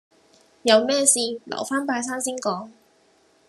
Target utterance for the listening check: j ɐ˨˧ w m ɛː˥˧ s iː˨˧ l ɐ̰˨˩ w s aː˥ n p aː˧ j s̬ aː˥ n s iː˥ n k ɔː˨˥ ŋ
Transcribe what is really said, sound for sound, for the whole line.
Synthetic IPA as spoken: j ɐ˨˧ w m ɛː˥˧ s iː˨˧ l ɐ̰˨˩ w f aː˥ n p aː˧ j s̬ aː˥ n s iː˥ n k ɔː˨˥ ŋ